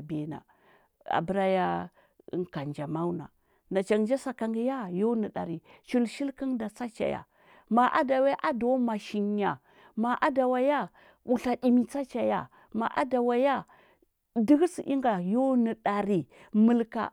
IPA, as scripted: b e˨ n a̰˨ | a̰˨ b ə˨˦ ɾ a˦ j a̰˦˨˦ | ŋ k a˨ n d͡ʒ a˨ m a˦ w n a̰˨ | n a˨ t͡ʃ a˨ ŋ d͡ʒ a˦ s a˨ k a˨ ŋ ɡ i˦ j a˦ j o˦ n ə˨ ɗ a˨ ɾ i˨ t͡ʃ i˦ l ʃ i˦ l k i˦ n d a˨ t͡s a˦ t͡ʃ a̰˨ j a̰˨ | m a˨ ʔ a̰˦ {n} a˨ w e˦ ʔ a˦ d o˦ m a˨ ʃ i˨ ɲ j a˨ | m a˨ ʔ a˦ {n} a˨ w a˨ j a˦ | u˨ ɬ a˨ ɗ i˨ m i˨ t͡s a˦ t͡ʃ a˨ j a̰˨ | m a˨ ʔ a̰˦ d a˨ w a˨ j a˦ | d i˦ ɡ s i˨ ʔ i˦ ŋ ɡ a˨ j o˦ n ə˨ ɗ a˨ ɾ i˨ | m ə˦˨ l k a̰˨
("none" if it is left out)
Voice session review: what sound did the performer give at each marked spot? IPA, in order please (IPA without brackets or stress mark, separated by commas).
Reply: d, d